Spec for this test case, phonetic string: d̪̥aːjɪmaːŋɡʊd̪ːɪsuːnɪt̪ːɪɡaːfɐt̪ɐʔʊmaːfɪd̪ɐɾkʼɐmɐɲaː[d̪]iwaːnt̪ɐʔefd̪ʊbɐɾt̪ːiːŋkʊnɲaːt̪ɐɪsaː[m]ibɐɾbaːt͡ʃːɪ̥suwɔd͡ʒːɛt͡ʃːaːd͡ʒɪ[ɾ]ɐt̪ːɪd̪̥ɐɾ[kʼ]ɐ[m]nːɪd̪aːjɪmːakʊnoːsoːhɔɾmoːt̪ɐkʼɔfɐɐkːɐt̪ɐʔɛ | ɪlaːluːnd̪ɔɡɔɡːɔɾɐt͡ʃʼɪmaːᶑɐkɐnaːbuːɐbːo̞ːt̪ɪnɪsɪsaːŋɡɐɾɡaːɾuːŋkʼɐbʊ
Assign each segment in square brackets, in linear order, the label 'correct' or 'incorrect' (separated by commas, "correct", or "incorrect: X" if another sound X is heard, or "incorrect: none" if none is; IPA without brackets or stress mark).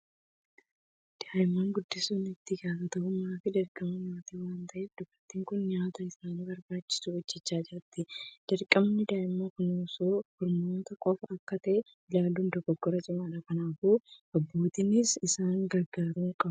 incorrect: t̪, incorrect: n, correct, correct, correct